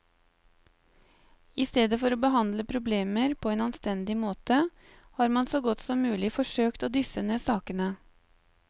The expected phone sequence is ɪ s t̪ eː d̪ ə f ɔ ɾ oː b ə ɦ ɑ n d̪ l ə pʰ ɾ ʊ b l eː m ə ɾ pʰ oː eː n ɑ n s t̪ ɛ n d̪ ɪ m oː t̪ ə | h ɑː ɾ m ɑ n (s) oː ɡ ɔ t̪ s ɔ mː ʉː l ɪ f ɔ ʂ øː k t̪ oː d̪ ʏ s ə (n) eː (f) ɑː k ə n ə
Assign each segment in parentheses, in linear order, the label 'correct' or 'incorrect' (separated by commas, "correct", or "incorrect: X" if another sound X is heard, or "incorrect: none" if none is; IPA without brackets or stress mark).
correct, correct, incorrect: s